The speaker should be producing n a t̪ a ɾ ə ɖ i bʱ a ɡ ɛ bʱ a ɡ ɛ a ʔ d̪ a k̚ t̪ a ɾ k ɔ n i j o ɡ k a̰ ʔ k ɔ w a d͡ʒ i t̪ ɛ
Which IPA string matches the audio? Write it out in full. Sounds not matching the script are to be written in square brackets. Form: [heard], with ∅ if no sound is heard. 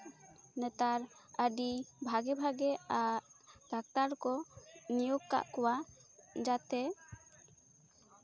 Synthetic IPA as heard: n [ɛ] t̪ a ɾ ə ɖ i bʱ a ɡ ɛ bʱ a ɡ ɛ a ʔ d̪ a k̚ t̪ a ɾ k ɔ n i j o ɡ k a̰ ʔ k ɔ w a d͡ʒ [a] t̪ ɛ